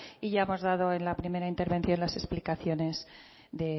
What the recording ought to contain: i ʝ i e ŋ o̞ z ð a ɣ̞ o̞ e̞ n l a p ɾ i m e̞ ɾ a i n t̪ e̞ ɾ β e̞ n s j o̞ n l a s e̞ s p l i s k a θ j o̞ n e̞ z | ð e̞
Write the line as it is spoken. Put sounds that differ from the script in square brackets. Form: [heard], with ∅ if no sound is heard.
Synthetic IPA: i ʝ [a] e [m] o̞ z ð a [ð̞] o̞ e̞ n l a p ɾ i m e̞ ɾ a i n t̪ e̞ ɾ β e̞ n [θ] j o̞ n l a s e̞ s p l i [∅] k a θ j o̞ n e̞ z | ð e̞